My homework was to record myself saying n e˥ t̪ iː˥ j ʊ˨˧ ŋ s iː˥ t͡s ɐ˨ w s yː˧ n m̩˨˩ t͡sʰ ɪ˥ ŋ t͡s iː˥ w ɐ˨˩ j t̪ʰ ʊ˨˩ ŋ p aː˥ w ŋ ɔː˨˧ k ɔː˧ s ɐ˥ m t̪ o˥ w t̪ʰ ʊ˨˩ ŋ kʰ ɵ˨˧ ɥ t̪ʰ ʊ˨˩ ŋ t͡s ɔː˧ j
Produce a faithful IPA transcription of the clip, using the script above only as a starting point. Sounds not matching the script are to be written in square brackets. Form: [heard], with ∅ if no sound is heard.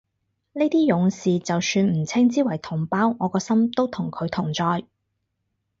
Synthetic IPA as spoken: n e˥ t̪ iː˥ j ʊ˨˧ ŋ s [iː˨] t͡s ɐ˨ w s yː˧ n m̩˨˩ t͡sʰ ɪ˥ ŋ t͡s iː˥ w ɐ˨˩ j t̪ʰ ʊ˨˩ ŋ p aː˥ w ŋ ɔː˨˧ k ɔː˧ s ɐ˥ m t̪ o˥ w t̪ʰ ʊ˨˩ ŋ kʰ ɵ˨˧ ɥ t̪ʰ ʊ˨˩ ŋ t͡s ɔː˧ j